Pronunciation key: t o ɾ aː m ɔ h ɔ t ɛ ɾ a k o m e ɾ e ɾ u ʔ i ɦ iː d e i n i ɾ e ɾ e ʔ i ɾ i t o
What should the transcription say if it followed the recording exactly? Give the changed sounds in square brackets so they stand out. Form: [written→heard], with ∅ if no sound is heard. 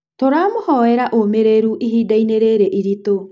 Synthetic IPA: t o ɾ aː m [ɔ→o] h ɔ [t→∅] ɛ ɾ a [k→ʔ] o m e ɾ e ɾ u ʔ i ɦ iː d [e→a] i n [i→e] ɾ e ɾ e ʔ i ɾ i t o